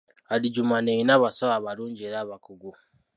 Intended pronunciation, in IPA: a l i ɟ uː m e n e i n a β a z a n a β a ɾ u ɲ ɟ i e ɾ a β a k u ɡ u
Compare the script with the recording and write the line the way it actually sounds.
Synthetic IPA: a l i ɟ u m a n e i n a β a s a a β a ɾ uː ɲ ɟ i e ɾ a β a k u ɡ u